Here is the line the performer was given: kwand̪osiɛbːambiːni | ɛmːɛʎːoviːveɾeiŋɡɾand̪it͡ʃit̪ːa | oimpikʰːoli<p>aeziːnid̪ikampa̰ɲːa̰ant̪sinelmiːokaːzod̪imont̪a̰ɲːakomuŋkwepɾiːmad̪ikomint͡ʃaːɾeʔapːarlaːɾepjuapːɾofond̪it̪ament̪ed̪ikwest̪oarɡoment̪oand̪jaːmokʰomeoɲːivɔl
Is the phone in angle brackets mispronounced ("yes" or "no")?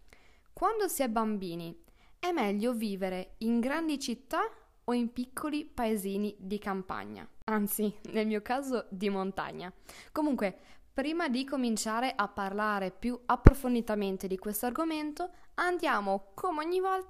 no